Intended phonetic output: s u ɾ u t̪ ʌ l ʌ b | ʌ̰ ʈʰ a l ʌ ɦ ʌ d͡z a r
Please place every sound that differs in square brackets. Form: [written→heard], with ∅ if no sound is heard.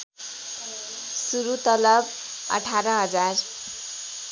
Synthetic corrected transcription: s u ɾ u t̪ ʌ l ʌ b | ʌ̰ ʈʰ a [l→ɾ] ʌ ɦ ʌ d͡z a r